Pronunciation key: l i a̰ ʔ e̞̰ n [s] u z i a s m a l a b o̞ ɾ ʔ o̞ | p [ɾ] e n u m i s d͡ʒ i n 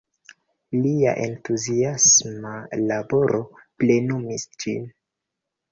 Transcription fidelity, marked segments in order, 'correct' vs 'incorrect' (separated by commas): incorrect, incorrect